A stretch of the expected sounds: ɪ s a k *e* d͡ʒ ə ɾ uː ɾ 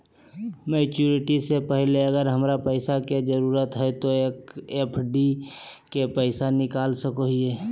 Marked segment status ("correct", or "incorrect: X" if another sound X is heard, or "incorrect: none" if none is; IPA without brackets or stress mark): correct